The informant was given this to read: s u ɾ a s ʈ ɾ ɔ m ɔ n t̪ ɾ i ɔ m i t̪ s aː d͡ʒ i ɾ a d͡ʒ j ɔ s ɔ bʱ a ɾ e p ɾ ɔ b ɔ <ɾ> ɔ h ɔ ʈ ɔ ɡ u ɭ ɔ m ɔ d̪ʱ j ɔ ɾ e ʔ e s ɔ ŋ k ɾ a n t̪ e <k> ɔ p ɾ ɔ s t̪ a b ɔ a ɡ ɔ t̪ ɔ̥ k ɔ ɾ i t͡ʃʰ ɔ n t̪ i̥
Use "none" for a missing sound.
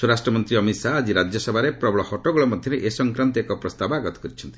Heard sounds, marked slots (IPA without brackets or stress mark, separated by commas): ɭ, k